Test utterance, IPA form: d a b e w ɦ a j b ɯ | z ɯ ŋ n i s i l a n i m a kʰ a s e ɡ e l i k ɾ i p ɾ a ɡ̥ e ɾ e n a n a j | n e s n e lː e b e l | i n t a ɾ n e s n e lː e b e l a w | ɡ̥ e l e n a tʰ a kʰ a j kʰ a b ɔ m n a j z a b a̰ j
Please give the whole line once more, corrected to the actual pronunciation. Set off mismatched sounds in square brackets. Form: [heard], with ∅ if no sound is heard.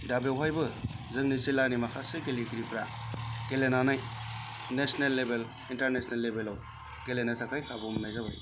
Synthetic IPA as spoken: d a b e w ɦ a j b ɯ | z ɯ ŋ n i s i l a n i m a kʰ a s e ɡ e l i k ɾ i p ɾ a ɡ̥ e [l] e n a n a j | n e s n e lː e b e l | i n t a ɾ n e s n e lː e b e l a w | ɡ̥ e l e n a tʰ a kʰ a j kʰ a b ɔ m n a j z a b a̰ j